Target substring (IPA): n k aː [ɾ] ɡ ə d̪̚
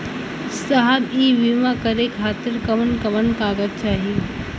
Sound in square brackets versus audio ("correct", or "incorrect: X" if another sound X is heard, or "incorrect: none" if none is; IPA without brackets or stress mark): incorrect: none